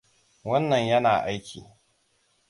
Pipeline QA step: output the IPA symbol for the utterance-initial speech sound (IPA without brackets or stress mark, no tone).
w